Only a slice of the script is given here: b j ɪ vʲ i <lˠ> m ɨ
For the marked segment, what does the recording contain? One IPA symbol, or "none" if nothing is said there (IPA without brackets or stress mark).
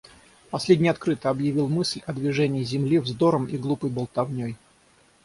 lˠ